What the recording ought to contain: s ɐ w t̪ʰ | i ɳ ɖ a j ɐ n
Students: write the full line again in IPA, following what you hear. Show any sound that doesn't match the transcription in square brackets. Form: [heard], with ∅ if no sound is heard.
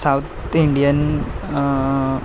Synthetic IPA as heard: s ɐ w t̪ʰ | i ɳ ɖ [i] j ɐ n